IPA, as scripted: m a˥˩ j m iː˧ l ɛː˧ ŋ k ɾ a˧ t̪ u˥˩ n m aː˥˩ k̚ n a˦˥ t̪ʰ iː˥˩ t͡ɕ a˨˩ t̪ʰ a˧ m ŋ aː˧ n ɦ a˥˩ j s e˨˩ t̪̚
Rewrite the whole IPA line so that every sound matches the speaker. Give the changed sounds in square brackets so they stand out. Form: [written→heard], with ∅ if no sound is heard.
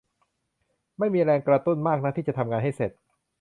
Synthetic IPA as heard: m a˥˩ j m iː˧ [l→ɾ] ɛː˧ ŋ k ɾ a˧ t̪ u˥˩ n m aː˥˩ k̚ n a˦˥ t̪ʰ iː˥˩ t͡ɕ a˨˩ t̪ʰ a˧ m ŋ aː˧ n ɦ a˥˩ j s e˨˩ t̪̚